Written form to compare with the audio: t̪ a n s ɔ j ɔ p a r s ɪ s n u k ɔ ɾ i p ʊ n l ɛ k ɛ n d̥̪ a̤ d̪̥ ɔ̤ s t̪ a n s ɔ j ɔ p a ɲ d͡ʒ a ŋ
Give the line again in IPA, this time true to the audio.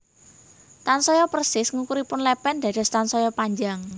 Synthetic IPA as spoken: t̪ a n s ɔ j ɔ p ə r s ɪ s ŋ u k u ɾ i p ʊ n l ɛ p ɛ n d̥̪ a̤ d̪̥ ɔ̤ s t̪ a n s ɔ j ɔ p a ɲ d͡ʒ a ŋ